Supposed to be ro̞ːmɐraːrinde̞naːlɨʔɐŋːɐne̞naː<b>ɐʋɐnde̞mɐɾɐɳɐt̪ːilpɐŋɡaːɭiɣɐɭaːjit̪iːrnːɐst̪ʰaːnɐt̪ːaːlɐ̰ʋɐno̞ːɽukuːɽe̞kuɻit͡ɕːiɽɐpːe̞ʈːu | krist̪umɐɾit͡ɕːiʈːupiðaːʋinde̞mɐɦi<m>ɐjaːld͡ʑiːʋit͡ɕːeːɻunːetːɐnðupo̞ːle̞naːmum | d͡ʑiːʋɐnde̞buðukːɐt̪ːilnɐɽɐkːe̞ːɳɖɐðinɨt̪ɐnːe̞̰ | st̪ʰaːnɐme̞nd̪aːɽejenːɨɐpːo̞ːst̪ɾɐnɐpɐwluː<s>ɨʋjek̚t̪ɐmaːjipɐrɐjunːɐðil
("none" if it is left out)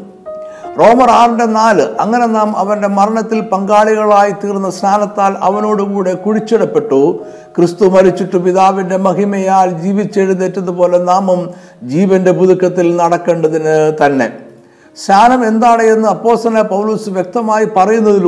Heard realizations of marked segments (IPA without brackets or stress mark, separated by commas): m, m, s